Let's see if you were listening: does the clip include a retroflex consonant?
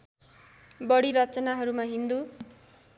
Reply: yes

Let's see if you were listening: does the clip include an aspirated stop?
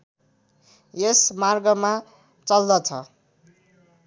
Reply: yes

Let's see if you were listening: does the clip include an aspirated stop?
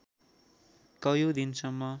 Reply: no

